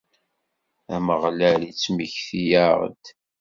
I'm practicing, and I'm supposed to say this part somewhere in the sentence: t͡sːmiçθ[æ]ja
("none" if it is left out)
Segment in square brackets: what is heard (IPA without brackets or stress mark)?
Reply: i